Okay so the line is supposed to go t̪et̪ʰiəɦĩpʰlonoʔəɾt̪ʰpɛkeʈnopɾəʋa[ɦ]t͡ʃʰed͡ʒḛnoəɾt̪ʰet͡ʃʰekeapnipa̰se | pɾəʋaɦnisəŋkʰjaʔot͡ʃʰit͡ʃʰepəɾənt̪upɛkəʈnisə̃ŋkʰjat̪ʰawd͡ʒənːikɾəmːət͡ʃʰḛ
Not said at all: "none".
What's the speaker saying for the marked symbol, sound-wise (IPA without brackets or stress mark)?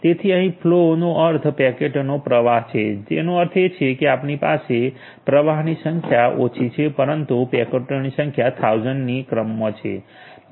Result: ɦ